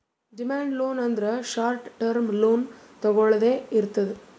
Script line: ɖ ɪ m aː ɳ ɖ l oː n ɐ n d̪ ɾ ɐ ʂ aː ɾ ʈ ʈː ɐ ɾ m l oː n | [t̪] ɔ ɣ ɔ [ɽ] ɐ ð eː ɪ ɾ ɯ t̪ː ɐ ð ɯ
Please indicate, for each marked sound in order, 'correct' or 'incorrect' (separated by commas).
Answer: correct, incorrect